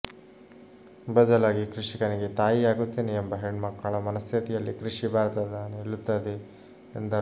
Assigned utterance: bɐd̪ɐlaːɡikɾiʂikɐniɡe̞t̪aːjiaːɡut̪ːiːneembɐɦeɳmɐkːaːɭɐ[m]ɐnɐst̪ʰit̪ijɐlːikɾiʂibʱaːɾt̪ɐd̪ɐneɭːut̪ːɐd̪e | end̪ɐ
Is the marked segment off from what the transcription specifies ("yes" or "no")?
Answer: no